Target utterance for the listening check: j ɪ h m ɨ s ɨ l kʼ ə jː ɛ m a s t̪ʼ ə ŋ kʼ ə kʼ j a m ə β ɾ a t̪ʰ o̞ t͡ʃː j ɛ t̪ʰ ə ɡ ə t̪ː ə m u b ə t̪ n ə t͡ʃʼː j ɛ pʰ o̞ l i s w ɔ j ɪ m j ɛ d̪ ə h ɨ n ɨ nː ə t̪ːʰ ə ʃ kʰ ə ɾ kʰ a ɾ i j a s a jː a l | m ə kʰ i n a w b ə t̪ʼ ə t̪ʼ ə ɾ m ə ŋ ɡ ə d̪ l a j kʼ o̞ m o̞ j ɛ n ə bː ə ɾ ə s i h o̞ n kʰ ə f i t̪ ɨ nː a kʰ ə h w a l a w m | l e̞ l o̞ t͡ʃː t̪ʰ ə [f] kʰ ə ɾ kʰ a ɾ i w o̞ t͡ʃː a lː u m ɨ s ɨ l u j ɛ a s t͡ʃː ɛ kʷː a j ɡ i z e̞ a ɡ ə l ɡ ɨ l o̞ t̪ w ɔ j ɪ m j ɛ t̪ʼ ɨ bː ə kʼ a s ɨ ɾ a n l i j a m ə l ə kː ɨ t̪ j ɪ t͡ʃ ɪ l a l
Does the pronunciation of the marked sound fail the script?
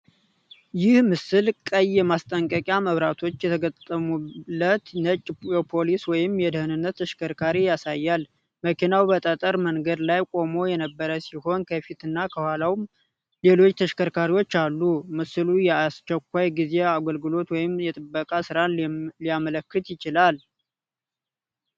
yes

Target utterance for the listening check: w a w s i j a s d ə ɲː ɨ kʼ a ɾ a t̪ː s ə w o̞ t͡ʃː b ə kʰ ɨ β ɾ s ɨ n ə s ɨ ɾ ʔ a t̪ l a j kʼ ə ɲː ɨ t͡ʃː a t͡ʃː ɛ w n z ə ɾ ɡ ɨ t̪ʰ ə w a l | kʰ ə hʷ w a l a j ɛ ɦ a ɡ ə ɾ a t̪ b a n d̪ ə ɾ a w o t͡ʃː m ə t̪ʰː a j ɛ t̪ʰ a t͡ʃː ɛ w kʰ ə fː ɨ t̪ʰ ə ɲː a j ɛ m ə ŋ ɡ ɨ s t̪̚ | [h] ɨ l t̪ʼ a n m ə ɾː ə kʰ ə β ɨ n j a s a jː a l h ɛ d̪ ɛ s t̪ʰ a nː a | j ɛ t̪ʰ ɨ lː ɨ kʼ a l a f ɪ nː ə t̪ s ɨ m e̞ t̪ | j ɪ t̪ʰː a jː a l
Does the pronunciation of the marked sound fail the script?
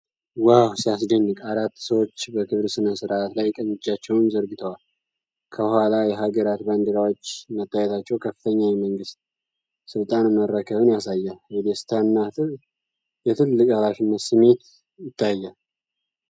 yes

